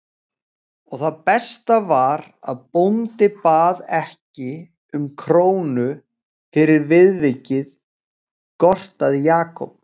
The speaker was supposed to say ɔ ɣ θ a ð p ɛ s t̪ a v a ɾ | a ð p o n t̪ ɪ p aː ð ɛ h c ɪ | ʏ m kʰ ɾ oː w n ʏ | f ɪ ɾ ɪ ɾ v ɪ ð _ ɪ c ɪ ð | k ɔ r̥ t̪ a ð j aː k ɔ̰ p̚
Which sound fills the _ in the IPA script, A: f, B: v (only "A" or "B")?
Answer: B